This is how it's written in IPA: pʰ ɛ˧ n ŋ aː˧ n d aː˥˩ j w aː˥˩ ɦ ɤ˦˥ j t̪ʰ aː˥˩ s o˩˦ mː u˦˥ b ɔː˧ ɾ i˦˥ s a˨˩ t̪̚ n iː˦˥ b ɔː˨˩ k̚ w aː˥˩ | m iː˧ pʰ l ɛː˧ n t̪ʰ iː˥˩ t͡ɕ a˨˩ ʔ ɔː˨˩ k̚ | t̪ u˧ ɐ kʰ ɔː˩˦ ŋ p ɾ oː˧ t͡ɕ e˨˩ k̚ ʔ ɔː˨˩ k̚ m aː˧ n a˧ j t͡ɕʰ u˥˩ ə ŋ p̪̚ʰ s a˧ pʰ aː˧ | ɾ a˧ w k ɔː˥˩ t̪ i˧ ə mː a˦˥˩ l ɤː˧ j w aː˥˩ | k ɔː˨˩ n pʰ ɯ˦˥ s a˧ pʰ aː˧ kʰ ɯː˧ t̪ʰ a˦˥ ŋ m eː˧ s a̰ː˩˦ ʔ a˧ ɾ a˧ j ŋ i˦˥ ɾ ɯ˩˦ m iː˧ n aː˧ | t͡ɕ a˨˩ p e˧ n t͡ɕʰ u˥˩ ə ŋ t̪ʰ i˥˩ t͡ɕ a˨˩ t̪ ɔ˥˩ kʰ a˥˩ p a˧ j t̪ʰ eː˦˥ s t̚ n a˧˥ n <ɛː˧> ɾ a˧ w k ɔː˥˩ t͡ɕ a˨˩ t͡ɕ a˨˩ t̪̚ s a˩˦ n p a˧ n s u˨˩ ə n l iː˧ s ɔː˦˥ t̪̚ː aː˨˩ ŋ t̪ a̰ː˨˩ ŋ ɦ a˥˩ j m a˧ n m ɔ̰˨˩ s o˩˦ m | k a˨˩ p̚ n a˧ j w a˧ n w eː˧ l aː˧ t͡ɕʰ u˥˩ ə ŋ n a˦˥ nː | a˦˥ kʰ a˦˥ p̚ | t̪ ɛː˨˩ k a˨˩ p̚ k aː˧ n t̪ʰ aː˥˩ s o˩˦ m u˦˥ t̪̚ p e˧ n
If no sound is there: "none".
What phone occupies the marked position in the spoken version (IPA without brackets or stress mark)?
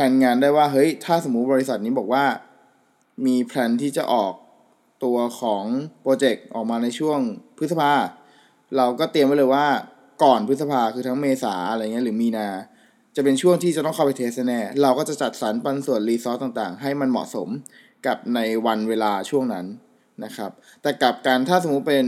ɛː˥˩